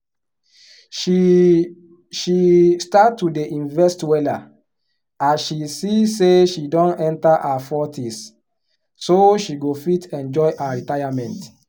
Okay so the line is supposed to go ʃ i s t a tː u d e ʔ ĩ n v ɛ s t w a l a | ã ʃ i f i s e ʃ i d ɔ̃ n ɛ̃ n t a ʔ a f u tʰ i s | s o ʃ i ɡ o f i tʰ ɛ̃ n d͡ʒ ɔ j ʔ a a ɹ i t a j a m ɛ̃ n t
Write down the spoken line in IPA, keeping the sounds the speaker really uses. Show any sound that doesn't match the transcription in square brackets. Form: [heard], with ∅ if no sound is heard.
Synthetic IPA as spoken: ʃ i s t a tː u d e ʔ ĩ n v ɛ s t w [ɛ] l a | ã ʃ i [s] i s e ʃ i d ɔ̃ n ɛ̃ n t a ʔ a f [ɔ] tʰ i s | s o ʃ i ɡ o f i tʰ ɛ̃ n d͡ʒ ɔ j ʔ a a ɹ i t a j a m ɛ̃ n t